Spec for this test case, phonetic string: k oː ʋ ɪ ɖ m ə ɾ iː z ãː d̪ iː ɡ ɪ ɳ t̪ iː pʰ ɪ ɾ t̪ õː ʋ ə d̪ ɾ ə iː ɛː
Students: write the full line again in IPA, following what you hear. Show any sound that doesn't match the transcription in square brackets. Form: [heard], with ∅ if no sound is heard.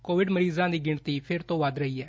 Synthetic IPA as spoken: k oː ʋ ɪ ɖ m ə ɾ iː z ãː d̪ iː ɡ ɪ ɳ t̪ iː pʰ ɪ ɾ t̪ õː ʋ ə d̪ ɾ ə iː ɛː